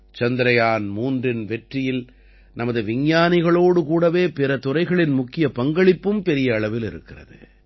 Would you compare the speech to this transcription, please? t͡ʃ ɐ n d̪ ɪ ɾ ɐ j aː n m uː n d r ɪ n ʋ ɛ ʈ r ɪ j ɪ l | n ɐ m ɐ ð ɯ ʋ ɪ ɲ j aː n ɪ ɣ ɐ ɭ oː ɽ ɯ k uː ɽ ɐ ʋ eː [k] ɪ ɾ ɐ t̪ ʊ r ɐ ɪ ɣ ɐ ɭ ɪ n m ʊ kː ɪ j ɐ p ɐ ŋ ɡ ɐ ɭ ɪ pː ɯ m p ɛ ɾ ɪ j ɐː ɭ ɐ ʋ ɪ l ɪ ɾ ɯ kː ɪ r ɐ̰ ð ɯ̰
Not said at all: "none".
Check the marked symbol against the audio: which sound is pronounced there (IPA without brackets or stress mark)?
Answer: p